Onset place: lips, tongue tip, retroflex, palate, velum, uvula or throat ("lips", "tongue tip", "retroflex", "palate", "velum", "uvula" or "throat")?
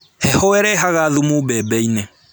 throat